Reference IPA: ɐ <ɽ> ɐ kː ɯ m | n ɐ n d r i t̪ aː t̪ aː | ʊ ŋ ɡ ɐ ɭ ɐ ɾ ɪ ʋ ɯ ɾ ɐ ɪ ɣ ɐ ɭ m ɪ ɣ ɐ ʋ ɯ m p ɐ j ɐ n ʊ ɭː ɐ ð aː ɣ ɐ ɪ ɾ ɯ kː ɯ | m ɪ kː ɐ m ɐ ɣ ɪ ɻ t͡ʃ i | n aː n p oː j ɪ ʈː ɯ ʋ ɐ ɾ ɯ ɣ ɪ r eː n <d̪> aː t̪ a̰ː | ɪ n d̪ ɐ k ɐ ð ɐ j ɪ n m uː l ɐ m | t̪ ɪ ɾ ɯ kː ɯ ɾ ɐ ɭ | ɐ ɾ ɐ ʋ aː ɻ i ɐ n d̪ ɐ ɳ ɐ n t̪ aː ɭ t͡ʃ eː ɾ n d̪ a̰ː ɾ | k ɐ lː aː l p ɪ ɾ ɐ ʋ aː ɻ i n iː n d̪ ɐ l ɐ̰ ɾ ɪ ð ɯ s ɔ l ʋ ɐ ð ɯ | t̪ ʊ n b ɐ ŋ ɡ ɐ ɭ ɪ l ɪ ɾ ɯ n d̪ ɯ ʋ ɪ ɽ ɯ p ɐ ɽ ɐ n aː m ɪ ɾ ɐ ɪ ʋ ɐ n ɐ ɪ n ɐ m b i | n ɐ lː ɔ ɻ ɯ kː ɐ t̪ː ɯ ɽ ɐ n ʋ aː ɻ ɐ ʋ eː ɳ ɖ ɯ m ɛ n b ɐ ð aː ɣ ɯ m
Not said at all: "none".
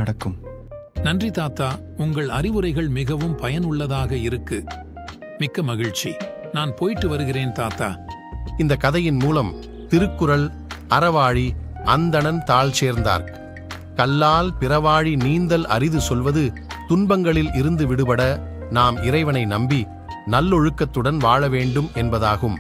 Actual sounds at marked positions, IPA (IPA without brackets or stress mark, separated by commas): ɽ, t̪